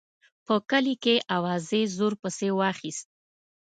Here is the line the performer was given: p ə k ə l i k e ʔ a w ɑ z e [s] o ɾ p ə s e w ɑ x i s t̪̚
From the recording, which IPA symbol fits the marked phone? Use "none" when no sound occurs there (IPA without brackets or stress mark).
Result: z